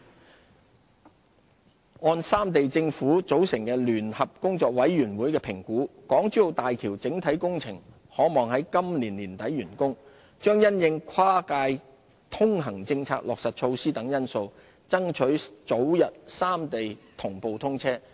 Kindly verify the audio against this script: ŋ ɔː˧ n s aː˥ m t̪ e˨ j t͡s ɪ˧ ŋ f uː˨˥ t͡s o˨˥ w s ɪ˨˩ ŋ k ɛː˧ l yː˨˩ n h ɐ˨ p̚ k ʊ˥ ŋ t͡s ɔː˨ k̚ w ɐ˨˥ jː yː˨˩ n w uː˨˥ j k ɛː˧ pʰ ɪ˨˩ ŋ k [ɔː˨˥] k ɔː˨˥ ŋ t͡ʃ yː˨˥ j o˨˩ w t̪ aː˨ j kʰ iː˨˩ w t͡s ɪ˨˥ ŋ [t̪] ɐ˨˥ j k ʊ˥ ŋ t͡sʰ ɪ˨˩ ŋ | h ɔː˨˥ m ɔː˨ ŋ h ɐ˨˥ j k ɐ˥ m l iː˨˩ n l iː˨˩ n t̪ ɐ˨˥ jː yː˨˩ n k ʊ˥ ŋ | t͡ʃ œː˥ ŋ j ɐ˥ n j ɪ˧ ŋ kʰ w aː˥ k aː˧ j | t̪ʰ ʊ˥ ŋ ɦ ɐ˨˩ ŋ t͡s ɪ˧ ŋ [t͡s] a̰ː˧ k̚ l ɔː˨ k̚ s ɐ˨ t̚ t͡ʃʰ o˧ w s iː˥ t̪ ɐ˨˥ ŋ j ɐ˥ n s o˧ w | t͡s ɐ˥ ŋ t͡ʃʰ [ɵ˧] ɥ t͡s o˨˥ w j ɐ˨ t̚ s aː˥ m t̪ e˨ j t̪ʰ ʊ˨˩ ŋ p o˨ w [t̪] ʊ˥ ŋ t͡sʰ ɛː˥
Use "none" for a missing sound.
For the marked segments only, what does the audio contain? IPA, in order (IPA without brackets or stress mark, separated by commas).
uː˨˥, t̪ʰ, t͡sʰ, ɵ˨˥, t̪ʰ